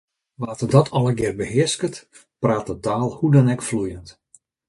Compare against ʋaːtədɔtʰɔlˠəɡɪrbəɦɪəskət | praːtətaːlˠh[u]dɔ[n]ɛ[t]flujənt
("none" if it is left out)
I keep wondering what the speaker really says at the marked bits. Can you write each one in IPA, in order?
u, n, k

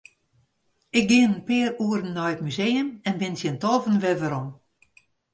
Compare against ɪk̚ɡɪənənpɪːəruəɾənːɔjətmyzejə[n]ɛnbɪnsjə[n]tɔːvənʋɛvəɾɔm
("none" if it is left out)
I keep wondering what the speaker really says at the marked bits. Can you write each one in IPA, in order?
m, n

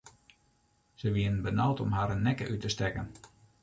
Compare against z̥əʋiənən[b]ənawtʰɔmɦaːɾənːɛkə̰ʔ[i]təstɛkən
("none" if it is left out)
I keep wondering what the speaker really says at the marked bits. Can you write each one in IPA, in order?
b, y

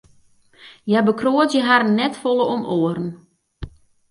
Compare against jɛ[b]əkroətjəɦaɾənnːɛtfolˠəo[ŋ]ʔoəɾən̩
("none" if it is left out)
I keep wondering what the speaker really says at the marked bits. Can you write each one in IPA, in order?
b, m

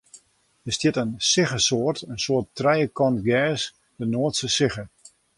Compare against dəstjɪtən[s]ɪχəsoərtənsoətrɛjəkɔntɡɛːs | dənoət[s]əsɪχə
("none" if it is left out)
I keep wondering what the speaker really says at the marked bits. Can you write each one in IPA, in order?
s, s

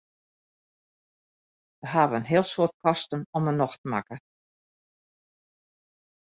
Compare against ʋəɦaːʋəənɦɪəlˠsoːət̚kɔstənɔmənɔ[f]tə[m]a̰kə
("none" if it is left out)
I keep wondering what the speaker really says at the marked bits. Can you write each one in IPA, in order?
x, m

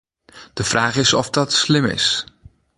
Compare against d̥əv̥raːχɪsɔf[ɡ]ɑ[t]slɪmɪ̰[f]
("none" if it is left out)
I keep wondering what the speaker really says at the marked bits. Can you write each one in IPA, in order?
d, t, s

